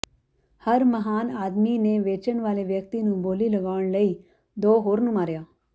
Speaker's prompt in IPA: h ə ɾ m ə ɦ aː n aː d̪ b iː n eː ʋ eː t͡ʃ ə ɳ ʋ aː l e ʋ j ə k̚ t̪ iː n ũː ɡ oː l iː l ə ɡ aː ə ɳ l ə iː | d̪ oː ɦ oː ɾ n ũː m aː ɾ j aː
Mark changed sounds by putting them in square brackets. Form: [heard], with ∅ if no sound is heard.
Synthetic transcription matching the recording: h ə ɾ m ə ɦ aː n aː d̪ [m] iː n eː ʋ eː t͡ʃ ə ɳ ʋ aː l e ʋ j ə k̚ t̪ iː n ũː [b] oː l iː l ə ɡ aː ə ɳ l ə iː | d̪ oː ɦ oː ɾ n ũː m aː ɾ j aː